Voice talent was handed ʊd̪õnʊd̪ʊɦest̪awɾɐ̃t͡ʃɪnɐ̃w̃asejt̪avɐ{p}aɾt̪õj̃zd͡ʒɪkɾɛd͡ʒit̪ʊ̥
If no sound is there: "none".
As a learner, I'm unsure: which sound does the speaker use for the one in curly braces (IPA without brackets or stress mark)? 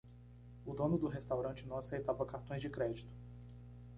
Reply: k